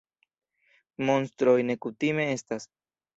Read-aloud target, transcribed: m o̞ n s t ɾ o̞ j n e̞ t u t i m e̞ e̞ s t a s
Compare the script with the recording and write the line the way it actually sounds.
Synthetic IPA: m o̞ n s t ɾ o̞ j n e̞ k u t i m e̞ e̞ s t a s